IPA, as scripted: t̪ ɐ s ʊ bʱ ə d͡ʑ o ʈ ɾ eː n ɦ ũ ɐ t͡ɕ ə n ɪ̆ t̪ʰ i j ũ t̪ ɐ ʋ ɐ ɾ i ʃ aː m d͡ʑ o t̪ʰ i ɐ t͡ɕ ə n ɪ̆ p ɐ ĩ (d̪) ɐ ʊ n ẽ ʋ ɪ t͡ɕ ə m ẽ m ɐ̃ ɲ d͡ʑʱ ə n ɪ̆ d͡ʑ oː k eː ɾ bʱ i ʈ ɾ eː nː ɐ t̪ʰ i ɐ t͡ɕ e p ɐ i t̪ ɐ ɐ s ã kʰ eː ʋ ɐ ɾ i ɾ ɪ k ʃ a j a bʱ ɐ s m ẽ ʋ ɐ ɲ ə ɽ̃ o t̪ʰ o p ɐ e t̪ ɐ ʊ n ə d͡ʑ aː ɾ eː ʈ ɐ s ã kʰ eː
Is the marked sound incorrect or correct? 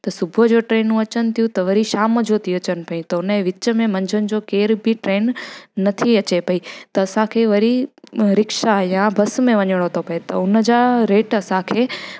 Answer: incorrect